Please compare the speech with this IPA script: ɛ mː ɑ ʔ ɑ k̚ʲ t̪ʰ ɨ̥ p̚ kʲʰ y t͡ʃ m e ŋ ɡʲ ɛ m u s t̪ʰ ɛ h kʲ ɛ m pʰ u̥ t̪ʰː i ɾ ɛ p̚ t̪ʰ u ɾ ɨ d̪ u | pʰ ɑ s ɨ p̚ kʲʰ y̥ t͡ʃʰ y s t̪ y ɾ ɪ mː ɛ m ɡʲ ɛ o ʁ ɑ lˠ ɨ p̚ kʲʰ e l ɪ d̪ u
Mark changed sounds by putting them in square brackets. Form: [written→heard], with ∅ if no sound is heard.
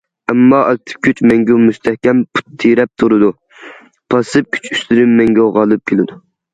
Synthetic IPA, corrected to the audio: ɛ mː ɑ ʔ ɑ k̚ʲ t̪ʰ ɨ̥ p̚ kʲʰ y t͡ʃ m [e→ɛ] ŋ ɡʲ ɛ m u s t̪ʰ ɛ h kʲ ɛ m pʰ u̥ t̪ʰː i ɾ ɛ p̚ t̪ʰ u ɾ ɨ d̪ u | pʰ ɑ s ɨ p̚ kʲʰ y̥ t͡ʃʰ y s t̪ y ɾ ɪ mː ɛ [m→ŋ] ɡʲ ɛ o ʁ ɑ lˠ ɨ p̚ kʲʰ e l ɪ d̪ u